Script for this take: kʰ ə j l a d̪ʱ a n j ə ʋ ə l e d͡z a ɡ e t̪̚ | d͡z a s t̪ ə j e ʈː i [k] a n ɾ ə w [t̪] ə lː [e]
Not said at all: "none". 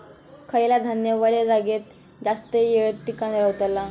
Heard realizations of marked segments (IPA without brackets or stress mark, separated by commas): k, t̪, a